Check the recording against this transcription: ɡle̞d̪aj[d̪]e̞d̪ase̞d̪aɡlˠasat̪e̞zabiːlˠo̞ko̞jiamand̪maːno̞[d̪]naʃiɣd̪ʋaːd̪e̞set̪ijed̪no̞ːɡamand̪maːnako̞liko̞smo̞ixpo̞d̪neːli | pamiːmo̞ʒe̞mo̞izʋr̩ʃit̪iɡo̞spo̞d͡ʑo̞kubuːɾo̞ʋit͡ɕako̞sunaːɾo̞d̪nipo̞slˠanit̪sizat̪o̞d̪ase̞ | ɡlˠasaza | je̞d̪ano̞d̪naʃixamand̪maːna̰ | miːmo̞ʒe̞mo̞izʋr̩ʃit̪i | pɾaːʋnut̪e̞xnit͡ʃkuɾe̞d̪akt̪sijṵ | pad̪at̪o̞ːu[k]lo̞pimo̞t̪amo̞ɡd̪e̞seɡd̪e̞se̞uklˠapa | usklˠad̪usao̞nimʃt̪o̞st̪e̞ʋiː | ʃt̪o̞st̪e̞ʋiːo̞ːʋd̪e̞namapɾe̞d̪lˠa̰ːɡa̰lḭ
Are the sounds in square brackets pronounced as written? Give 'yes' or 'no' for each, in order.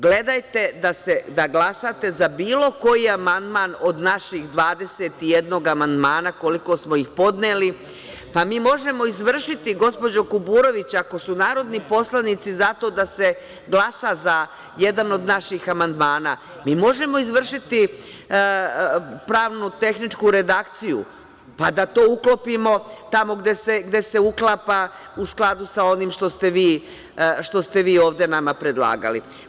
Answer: no, yes, yes

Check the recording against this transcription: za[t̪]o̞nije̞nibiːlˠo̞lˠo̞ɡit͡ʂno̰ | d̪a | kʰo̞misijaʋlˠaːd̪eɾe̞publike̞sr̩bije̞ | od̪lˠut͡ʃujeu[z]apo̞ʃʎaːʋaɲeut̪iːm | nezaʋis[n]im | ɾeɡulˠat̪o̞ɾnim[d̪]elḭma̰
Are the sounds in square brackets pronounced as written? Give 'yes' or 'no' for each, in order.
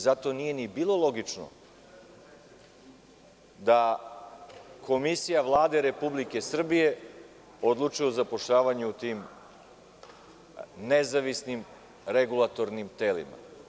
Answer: yes, yes, yes, no

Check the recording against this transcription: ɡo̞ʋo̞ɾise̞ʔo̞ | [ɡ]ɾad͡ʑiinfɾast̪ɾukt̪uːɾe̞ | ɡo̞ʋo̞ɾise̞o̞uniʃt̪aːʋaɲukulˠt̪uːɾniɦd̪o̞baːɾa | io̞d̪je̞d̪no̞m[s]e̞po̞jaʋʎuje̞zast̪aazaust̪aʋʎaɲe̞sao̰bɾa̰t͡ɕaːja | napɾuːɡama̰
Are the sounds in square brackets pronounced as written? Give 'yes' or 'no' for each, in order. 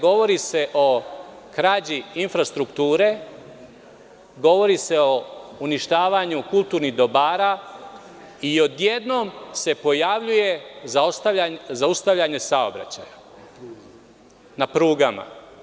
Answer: no, yes

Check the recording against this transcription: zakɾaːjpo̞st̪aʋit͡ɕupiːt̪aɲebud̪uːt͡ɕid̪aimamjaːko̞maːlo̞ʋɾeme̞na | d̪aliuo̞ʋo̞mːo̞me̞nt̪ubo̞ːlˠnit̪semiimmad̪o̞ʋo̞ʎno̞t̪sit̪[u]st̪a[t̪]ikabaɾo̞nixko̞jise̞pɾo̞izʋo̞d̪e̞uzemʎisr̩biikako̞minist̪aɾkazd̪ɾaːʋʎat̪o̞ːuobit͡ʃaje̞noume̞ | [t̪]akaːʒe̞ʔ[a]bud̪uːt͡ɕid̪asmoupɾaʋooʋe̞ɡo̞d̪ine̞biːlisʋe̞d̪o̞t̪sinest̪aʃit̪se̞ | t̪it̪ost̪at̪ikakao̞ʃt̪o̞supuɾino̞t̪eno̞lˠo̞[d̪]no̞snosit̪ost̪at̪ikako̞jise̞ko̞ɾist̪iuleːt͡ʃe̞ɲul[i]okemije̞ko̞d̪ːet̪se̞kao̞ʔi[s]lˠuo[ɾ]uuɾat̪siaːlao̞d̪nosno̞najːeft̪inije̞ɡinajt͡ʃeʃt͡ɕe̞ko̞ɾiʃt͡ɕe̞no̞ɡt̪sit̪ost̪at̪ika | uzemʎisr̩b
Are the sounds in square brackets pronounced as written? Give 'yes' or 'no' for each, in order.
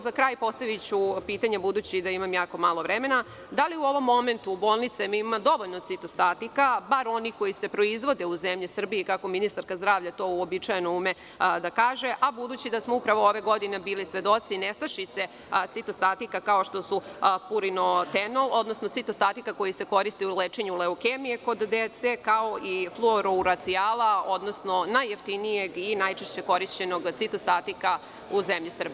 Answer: no, yes, no, yes, yes, no, no, yes

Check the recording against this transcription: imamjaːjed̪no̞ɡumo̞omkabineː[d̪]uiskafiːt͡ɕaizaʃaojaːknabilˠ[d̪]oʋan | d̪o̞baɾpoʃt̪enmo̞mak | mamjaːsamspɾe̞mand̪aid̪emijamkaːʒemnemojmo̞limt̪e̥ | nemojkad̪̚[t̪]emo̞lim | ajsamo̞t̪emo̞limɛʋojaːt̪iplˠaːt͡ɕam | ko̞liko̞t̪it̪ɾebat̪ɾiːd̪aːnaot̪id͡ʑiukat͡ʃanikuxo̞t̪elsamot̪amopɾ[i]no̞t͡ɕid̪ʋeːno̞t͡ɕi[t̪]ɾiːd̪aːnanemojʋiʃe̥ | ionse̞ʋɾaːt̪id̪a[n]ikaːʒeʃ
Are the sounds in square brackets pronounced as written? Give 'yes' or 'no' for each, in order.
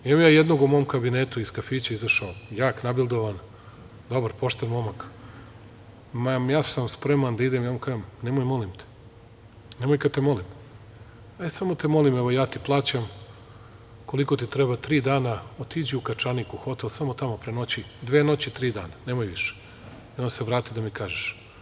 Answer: no, yes, yes, no, yes, no

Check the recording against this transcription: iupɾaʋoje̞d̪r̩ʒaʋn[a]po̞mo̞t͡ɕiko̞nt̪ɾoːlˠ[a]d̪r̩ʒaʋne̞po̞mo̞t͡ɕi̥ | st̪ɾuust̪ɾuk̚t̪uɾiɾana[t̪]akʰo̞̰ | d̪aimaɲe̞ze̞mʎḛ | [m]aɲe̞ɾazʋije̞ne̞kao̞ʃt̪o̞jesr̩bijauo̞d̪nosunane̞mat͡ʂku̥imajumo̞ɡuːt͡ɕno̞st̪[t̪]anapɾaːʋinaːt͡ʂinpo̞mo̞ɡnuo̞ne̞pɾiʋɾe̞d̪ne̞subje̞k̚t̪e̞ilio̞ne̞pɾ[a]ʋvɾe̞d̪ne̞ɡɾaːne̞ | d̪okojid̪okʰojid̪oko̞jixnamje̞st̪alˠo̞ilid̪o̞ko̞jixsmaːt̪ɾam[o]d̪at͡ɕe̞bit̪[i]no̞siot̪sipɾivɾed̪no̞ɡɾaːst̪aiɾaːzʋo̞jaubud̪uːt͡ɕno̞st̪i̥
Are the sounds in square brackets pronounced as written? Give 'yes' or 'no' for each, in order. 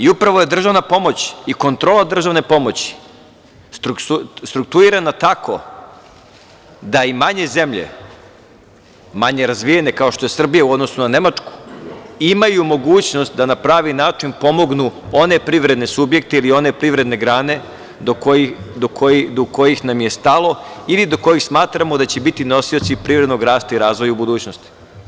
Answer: yes, yes, yes, yes, no, no, yes, yes

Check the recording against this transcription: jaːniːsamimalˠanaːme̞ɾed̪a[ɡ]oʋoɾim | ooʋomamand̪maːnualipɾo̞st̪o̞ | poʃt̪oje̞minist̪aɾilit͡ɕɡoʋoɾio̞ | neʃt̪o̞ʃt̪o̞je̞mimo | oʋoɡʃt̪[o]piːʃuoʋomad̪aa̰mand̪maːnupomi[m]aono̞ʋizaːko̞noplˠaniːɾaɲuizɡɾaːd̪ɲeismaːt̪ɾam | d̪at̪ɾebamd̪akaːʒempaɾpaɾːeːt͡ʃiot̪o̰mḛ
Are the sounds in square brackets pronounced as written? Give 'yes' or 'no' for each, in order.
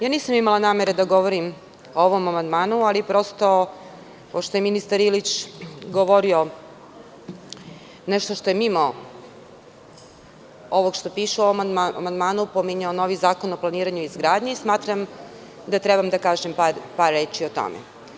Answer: yes, yes, no

